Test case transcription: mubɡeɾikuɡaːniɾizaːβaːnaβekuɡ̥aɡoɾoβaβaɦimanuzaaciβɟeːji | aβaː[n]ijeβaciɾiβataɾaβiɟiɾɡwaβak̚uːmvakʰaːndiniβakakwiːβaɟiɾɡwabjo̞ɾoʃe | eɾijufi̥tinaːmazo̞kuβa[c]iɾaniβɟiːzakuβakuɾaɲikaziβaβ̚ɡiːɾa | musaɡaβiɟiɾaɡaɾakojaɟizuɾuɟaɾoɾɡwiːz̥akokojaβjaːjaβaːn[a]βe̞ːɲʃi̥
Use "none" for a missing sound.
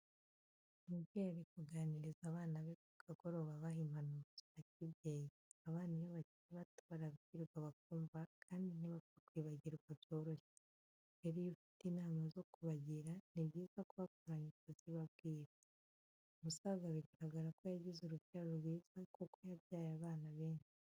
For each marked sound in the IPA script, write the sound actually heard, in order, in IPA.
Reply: n, ɟ, a

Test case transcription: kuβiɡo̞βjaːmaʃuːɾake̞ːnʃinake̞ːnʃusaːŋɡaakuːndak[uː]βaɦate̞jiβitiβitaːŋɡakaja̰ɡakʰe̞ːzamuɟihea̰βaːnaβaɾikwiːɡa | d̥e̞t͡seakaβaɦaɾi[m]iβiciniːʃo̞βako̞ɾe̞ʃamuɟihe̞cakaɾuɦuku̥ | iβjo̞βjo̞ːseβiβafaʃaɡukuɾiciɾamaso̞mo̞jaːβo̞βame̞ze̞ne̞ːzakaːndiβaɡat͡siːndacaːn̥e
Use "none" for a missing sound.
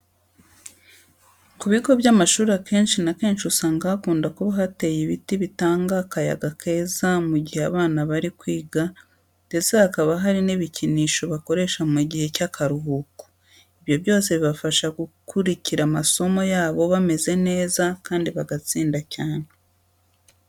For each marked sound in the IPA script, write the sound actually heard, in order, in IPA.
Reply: u, n

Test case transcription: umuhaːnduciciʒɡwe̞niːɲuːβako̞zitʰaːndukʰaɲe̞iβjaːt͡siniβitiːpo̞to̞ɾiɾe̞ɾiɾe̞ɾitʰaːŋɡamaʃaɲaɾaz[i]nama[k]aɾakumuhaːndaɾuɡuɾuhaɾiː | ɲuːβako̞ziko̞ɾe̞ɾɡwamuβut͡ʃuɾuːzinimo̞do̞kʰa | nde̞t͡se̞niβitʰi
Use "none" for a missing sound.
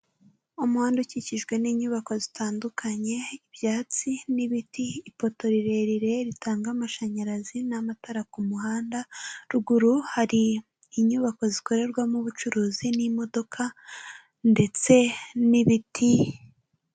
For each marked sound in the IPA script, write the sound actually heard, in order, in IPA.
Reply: i, t

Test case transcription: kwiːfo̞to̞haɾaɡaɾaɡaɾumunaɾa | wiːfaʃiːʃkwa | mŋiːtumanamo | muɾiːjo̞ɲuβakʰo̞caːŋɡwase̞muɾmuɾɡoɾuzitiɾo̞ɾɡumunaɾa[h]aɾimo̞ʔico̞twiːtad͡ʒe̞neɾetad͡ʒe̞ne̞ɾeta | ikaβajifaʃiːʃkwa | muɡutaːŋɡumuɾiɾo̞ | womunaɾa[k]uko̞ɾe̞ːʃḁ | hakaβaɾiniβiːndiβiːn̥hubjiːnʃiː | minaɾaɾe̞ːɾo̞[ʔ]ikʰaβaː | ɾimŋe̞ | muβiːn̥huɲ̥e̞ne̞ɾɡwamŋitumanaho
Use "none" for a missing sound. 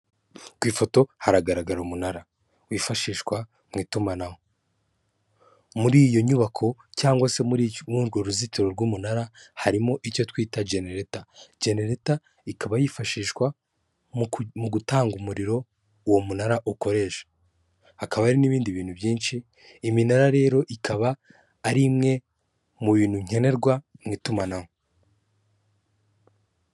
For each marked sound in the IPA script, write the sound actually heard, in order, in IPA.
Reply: h, ʔ, ʔ

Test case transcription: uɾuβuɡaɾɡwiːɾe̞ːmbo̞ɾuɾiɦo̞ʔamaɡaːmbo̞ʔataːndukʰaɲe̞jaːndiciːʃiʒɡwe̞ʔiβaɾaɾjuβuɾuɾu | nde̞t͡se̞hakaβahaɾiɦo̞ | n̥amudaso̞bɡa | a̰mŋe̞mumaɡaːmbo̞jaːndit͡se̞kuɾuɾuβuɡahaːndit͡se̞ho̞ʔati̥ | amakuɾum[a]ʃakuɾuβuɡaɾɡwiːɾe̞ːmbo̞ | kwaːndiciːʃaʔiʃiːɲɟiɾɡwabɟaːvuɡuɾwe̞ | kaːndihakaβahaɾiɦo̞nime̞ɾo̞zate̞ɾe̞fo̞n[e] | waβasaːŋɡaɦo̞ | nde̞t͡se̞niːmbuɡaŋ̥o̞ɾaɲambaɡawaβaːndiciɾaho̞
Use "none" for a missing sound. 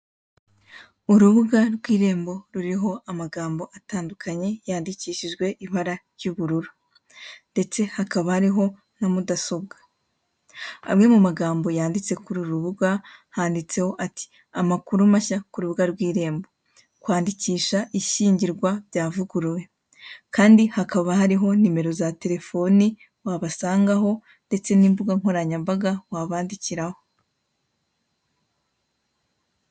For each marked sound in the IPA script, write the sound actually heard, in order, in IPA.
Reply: a, i

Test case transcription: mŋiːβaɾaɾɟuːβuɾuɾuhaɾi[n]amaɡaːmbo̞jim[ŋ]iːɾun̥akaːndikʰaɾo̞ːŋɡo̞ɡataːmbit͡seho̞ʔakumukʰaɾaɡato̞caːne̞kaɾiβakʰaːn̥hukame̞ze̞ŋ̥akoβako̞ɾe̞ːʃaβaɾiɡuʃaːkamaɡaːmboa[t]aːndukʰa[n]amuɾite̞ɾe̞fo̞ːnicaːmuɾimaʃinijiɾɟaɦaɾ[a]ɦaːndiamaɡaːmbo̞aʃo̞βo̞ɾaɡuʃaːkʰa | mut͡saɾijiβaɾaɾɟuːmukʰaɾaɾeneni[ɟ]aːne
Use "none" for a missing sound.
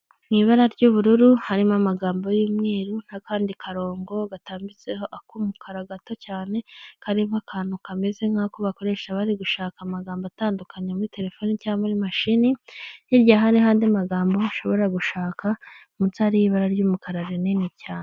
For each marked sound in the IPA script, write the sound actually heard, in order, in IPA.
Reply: m, ŋ, t, ɲ, i, c

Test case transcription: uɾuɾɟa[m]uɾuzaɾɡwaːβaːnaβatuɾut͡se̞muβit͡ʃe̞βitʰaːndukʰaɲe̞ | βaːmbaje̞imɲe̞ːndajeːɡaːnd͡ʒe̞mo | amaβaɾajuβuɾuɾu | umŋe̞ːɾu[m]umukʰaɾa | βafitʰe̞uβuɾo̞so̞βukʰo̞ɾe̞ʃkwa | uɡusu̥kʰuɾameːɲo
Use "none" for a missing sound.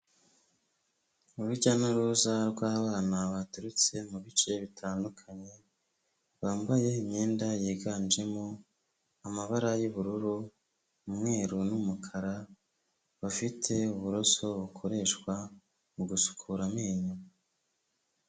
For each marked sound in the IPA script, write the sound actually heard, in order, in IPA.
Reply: n, n

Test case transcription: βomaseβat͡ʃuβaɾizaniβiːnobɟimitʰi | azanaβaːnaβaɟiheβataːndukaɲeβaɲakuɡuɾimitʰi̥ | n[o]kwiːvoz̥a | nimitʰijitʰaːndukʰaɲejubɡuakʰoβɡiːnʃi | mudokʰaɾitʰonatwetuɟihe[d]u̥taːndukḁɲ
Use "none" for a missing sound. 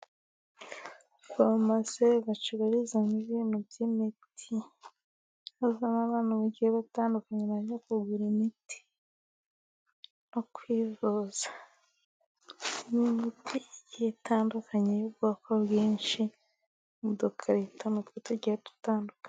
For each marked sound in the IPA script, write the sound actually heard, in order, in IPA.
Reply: o, t

